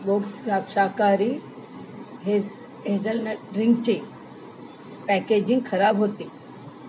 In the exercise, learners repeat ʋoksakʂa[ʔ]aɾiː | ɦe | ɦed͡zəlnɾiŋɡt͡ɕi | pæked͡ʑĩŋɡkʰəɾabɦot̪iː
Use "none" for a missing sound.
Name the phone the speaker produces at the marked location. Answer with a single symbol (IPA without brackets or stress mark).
k